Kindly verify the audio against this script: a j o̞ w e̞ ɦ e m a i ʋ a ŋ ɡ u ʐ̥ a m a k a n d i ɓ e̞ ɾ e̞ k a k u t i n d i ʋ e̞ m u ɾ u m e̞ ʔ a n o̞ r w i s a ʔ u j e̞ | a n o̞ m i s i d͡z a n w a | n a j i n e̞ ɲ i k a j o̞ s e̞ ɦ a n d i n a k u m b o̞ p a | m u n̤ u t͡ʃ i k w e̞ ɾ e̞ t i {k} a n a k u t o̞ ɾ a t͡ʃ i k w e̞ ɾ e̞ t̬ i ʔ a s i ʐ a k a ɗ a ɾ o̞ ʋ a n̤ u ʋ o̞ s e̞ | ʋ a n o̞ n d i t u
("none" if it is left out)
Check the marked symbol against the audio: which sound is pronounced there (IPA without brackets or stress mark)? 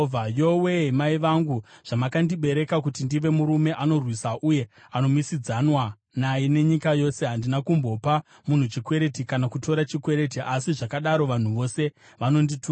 k